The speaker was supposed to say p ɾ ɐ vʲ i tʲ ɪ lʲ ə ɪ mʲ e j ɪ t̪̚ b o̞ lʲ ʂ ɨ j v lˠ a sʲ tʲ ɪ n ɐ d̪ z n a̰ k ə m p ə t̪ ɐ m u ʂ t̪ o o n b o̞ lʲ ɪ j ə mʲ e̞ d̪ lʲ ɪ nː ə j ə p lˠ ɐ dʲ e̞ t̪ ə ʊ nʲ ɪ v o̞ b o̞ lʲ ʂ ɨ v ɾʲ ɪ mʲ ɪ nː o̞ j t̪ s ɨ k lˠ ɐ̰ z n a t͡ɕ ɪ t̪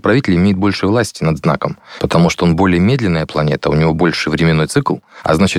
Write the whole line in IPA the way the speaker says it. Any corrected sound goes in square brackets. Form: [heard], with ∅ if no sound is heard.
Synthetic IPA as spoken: p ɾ ɐ vʲ i tʲ ɪ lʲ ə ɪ mʲ e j ɪ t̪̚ b o̞ lʲ ʂ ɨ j v lˠ a sʲ tʲ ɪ n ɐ d̪ z n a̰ k ə m p ə t̪ ɐ m u ʂ t̪ o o n b o̞ lʲ ɪ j ə mʲ e̞ d̪ lʲ ɪ nː ə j ə p lˠ ɐ [nʲ] e̞ t̪ ə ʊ nʲ ɪ v o̞ b o̞ lʲ ʂ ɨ v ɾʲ ɪ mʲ ɪ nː o̞ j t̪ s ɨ k lˠ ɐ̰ z n a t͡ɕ ɪ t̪